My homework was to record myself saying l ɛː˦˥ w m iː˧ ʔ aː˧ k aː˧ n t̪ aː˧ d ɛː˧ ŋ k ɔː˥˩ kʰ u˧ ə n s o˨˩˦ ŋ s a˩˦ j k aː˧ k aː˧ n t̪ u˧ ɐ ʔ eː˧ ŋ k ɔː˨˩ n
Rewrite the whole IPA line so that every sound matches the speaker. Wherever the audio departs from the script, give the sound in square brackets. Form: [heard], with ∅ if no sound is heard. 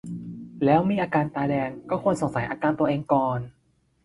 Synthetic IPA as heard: l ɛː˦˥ w m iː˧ ʔ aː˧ k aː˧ n t̪ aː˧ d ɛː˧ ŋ k ɔː˥˩ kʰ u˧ ə n s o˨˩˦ ŋ s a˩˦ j [ʔ] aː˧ k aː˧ n t̪ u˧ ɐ ʔ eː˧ ŋ k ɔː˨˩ n